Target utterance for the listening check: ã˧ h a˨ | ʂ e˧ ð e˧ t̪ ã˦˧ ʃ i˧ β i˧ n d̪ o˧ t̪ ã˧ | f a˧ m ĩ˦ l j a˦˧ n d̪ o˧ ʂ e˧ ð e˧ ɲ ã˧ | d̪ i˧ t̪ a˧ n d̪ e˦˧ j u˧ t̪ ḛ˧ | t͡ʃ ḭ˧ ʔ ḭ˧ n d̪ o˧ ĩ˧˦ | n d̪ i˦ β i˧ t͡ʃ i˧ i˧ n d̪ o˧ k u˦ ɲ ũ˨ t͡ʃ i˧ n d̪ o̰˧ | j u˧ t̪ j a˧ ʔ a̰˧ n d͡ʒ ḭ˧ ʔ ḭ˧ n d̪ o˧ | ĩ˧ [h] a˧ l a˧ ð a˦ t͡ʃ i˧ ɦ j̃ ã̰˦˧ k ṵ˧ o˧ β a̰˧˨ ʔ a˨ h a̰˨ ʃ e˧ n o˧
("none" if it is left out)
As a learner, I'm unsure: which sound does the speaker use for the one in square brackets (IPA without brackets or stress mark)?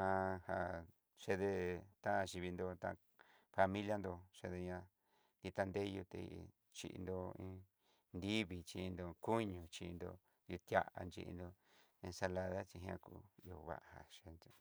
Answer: s